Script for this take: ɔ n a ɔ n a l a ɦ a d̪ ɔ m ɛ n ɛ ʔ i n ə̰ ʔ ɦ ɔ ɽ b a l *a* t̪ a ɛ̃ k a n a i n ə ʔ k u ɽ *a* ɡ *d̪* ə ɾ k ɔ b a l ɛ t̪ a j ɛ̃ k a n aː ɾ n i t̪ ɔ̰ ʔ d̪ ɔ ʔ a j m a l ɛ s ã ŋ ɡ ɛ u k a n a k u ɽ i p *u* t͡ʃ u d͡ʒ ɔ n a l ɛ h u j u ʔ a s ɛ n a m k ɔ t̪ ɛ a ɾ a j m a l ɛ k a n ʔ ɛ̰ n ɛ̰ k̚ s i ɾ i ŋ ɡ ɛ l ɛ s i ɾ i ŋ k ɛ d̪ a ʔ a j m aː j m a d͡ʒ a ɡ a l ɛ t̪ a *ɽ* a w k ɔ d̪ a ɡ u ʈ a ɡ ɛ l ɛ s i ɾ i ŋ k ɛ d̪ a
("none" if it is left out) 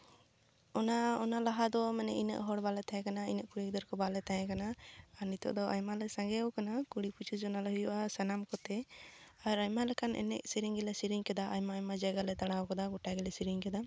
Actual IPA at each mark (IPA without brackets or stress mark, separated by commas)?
ɛ, i, d̪, u, ɽ